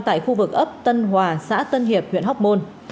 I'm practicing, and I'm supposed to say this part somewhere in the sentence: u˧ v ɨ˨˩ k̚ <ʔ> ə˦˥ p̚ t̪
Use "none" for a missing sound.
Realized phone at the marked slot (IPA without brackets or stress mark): ʔ